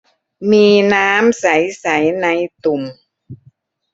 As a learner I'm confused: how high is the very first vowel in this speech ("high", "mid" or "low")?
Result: high